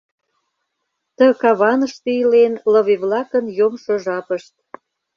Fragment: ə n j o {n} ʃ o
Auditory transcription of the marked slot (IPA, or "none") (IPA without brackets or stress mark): m